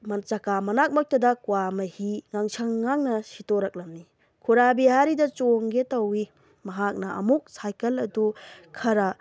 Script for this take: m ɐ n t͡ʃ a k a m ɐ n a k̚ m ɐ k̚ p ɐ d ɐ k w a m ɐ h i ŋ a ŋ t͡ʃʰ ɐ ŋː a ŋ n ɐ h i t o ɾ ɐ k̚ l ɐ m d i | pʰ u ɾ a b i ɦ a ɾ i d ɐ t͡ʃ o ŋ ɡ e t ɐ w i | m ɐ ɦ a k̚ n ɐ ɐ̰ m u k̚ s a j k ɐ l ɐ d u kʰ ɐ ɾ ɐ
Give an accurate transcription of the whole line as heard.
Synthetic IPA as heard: m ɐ n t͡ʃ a k a m ɐ n a k̚ m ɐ k̚ t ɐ d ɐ k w a m ɐ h i ŋ a ŋ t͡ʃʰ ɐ ŋː a ŋ n ɐ s i t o ɾ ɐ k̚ l ɐ m n i | kʰ u ɾ a b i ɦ a ɾ i d ɐ t͡ʃ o ŋ ɡ e t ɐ w i | m ɐ ɦ a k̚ n ɐ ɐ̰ m u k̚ s a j k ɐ l ɐ d u kʰ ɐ ɾ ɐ